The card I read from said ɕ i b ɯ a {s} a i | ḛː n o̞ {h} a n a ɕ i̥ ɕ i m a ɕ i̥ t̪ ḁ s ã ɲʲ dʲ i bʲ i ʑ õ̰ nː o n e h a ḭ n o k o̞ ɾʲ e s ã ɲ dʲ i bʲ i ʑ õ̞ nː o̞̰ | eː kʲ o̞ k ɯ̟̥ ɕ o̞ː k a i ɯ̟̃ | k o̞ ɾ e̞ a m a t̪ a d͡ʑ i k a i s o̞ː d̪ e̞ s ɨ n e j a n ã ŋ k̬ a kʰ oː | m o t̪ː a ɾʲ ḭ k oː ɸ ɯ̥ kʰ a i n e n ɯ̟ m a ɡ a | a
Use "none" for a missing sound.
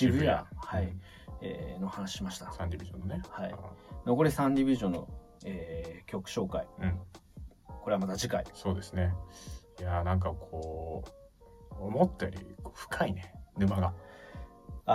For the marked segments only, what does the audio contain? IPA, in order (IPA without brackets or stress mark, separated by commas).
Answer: h, h